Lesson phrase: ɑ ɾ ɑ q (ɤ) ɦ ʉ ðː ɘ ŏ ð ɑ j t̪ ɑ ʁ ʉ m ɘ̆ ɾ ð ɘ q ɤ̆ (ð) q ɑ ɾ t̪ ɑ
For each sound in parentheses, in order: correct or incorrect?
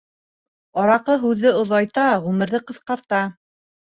correct, incorrect: θ

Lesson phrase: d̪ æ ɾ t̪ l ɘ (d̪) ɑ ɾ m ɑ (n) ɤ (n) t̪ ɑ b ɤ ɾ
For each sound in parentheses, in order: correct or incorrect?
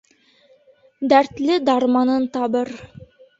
correct, correct, correct

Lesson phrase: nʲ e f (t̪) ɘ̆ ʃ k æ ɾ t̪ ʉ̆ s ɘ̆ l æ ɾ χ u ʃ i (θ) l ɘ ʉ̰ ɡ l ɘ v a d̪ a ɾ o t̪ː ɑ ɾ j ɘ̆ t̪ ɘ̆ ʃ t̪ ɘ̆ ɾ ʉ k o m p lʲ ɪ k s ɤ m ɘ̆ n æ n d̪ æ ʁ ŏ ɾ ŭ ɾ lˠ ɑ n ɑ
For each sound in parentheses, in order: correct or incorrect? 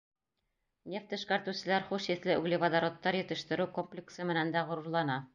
correct, correct

